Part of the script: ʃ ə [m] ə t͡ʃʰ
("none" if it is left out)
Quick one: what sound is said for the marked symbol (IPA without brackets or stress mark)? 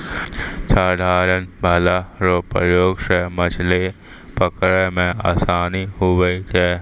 m